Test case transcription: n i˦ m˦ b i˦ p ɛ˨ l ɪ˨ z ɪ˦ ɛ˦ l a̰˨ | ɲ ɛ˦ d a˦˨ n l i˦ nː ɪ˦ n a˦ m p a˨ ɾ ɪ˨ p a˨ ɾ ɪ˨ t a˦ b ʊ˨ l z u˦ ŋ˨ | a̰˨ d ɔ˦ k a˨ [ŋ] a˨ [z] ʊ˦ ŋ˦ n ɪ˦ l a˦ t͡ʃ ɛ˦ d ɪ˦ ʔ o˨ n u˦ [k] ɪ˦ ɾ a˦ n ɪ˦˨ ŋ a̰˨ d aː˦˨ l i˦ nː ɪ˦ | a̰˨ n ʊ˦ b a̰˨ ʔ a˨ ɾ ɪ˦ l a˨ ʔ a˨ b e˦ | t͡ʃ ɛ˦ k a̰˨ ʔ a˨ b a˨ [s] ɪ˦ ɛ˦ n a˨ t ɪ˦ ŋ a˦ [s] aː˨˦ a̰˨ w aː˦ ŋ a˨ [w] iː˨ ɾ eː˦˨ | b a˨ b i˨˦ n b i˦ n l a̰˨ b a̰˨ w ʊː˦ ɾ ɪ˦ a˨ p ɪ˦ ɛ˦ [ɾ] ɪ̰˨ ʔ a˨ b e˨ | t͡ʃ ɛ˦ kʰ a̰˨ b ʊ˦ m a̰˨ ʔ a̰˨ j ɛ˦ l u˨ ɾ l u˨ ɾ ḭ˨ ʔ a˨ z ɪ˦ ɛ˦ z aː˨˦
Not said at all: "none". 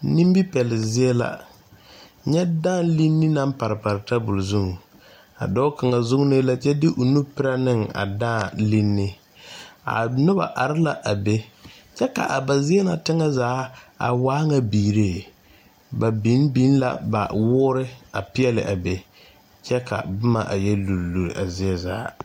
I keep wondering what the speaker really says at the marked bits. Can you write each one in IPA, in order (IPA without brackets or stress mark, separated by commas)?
ŋ, z, p, z, z, b, l